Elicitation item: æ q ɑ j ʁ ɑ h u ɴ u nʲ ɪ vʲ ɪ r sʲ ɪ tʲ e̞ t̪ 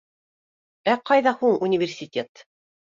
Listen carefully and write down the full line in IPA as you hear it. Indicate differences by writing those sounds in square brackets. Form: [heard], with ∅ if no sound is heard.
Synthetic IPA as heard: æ q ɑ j [ð] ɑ h u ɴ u nʲ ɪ vʲ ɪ r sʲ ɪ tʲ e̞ t̪